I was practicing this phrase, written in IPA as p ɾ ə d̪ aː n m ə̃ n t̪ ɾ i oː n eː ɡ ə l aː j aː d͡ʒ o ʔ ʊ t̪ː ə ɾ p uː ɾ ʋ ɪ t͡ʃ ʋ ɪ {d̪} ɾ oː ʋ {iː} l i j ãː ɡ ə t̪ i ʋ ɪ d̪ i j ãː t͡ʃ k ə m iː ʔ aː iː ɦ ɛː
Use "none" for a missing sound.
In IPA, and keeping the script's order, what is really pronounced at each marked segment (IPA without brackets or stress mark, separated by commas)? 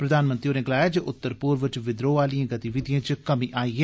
d̪, aː